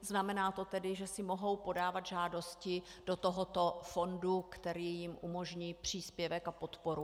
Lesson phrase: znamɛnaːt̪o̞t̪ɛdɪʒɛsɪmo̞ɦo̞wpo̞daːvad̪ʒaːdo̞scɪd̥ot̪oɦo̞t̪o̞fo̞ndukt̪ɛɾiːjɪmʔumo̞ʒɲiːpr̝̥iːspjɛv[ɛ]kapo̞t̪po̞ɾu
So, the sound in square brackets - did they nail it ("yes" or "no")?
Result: yes